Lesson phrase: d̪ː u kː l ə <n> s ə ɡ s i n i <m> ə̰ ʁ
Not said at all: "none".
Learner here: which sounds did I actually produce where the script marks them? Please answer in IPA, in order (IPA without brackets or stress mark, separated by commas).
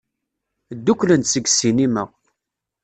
n, m